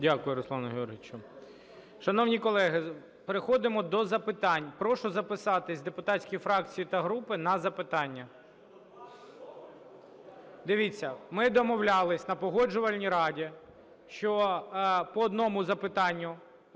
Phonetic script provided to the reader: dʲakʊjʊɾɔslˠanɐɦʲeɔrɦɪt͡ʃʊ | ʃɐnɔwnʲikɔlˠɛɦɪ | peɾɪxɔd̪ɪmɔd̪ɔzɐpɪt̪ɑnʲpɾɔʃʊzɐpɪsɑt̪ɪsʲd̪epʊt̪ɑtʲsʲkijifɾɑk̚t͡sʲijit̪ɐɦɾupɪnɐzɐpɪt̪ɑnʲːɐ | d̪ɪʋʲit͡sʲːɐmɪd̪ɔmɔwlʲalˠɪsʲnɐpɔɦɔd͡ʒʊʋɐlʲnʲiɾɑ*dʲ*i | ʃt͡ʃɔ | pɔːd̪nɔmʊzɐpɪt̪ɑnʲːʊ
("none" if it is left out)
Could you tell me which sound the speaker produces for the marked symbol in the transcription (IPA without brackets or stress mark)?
dʲ